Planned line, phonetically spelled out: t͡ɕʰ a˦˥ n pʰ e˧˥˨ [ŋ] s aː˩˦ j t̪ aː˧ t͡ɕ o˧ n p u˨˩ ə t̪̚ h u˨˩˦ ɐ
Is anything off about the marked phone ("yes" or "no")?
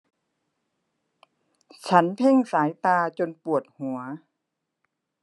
no